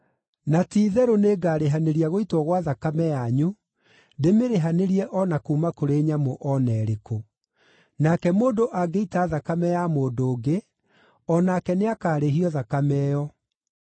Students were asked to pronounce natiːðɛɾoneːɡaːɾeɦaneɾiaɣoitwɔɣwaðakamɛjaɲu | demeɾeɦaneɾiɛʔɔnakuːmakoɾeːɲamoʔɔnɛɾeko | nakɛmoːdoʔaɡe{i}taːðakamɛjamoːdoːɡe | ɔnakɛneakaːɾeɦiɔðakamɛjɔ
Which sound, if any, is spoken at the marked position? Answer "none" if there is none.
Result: i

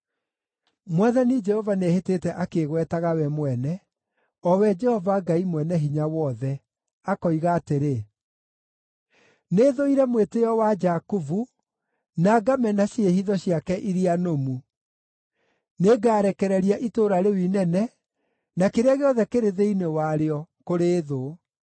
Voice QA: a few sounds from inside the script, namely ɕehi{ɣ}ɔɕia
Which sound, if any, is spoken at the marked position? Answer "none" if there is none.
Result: ð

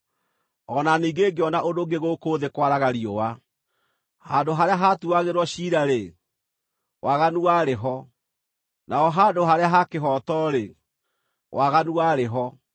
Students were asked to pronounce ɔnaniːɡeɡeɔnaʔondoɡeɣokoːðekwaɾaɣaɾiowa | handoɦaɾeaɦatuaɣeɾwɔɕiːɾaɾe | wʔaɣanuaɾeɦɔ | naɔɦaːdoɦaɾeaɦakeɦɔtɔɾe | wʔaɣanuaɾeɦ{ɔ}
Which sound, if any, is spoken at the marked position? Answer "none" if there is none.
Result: ɔ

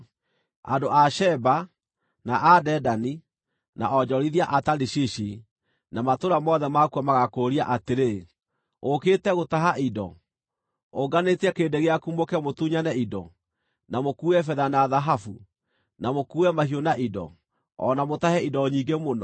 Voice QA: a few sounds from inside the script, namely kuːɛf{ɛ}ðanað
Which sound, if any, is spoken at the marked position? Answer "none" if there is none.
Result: ɛ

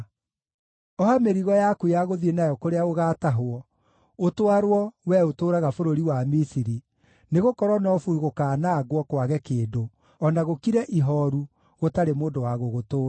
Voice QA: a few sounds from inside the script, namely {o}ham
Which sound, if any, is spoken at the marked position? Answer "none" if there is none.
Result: ɔ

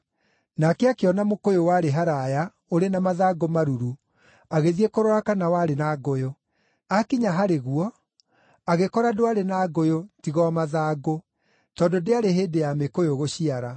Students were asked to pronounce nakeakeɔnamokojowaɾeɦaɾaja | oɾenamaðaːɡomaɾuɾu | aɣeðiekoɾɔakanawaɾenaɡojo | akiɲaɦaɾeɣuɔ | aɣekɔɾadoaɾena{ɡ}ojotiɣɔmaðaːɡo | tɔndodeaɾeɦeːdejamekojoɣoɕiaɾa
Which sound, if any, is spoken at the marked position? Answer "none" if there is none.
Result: ɡ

